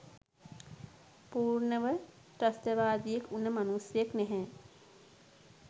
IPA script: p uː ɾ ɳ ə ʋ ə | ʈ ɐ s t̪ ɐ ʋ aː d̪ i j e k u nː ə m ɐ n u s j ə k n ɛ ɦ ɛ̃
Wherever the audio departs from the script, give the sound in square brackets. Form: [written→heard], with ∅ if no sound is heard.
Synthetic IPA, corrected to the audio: p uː ɾ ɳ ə ʋ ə | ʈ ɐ s t̪ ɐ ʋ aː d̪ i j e k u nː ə m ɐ n u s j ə k n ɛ ɦ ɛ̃